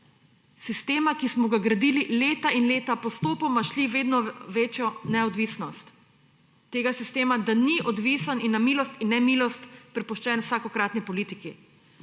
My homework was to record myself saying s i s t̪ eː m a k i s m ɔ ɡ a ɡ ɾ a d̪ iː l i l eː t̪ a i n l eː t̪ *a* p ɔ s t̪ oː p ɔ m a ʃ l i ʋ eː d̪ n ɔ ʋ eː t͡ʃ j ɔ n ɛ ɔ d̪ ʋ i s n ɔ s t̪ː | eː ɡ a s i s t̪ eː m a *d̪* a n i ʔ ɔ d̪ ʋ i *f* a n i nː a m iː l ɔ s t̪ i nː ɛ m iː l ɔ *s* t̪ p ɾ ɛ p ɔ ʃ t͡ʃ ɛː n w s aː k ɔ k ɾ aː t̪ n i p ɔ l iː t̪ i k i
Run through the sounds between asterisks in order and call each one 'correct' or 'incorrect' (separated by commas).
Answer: correct, correct, incorrect, correct